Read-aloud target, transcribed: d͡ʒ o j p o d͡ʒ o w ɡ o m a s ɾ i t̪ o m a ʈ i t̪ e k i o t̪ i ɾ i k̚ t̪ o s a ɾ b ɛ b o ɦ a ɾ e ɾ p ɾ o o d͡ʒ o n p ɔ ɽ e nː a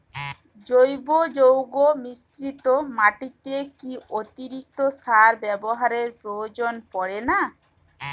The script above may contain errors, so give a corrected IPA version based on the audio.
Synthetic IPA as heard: d͡ʒ o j b o d͡ʒ o w ɡ o m i s ɾ i t̪ o m a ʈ i t̪ e k i o t̪ i ɾ i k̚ t̪ o s a ɾ b ɛ b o ɦ a ɾ e ɾ p ɾ o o d͡ʒ o n p ɔ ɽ e n a